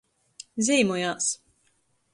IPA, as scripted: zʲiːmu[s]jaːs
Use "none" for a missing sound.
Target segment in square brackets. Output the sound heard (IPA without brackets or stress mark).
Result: none